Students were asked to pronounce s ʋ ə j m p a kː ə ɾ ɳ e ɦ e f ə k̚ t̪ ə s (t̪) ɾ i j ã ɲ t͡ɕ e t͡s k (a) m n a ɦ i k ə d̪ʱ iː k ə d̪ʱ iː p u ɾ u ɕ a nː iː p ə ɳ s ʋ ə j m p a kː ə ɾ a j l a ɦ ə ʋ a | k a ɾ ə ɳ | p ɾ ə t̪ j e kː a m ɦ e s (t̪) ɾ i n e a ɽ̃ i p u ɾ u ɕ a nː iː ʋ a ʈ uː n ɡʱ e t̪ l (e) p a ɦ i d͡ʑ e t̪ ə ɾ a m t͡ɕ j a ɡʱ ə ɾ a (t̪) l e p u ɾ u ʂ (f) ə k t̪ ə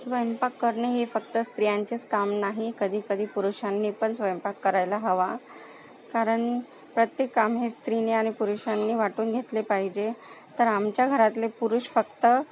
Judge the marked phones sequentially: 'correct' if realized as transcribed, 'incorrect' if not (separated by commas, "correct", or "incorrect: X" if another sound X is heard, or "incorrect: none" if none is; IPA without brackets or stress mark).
correct, correct, correct, correct, correct, correct